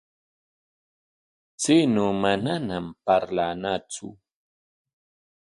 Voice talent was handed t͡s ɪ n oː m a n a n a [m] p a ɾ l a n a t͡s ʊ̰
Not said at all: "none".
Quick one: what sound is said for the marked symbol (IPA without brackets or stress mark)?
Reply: m